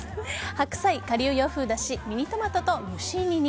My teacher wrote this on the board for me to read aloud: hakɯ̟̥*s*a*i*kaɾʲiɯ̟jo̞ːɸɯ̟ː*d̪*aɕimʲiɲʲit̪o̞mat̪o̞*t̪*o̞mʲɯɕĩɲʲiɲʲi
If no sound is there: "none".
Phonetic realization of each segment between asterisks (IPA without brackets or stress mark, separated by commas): s, i, d̪, t̪